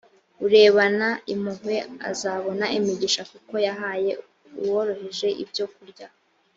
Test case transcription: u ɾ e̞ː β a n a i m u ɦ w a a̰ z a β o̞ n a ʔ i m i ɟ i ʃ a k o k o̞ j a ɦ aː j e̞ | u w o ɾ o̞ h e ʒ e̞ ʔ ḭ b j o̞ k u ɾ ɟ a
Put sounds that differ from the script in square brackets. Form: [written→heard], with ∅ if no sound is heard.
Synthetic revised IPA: u ɾ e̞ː β a n a i m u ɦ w [a→e] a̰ z a β o̞ n a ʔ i m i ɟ i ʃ a k [o→u] k o̞ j a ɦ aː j e̞ | u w o ɾ o̞ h e ʒ e̞ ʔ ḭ b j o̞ k u ɾ ɟ a